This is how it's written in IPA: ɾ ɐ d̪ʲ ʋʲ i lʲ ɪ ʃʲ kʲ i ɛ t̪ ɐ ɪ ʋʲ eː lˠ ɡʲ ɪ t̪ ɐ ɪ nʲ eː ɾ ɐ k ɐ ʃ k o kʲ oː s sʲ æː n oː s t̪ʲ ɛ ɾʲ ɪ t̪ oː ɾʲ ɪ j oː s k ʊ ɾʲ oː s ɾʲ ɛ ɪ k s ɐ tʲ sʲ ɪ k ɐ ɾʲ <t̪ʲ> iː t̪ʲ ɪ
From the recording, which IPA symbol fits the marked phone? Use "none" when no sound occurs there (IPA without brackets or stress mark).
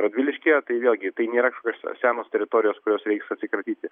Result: t̪ʲ